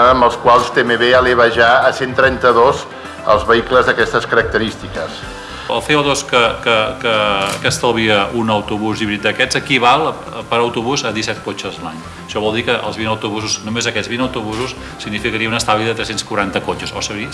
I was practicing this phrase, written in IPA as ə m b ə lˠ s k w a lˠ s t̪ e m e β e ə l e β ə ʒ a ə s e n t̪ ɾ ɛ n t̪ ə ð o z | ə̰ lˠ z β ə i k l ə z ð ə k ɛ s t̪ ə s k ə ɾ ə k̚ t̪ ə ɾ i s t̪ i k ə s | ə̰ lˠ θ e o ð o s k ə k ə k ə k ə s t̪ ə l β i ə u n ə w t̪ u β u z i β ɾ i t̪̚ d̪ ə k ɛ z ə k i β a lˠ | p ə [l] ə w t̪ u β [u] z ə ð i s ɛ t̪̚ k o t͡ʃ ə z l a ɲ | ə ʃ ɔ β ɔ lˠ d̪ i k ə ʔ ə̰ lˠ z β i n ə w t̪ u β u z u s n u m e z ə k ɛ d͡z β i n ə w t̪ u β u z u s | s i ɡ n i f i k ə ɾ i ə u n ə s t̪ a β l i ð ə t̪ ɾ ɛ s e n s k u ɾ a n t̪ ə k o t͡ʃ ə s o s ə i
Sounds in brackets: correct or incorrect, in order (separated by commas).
incorrect, correct